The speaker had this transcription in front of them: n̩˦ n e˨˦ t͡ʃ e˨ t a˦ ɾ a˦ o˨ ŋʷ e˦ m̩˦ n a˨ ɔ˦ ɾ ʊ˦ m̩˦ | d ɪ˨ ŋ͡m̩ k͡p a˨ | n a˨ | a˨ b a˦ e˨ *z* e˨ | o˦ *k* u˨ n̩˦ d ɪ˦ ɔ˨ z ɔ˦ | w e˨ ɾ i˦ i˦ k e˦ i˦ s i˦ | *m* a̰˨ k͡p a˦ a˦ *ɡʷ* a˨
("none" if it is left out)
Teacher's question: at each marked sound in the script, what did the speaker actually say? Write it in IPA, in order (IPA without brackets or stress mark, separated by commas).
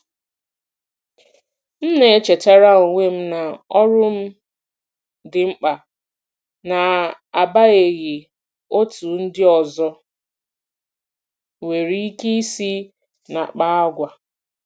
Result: ɣ, t, n, ɡʷ